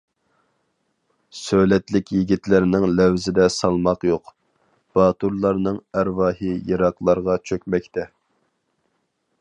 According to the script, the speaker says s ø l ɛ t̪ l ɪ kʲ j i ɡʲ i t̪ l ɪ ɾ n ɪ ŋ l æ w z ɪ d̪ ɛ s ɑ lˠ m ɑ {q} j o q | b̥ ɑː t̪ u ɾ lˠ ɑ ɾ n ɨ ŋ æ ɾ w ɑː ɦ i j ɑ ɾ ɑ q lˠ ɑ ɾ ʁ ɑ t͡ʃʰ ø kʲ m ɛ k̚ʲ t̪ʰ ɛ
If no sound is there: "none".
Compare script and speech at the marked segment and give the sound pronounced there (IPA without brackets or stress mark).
q